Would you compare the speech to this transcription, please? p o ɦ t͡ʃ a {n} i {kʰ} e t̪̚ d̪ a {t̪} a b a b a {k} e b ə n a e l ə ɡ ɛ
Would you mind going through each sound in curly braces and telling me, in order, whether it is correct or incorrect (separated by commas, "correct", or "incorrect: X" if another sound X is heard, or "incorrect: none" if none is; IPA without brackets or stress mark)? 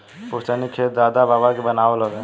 correct, correct, incorrect: d̪, correct